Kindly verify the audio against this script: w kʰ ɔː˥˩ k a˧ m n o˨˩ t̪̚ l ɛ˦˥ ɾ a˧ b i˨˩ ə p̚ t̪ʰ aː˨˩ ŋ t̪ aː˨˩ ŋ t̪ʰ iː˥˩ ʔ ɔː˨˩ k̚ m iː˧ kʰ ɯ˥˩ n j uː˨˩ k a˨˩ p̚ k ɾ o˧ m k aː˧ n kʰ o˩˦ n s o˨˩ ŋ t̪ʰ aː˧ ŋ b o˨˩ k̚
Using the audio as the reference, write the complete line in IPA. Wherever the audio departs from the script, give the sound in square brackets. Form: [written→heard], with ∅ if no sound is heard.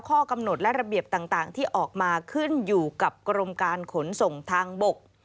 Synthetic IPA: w kʰ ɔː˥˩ k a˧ m n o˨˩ t̪̚ l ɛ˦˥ ɾ a˧ b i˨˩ ə p̚ [t̪ʰ→t̪] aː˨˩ ŋ t̪ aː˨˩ ŋ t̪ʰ iː˥˩ ʔ ɔː˨˩ k̚ m [iː˧→aː˧] kʰ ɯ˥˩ n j uː˨˩ k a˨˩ p̚ k ɾ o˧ m k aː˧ n kʰ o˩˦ n s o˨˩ ŋ t̪ʰ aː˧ ŋ b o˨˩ k̚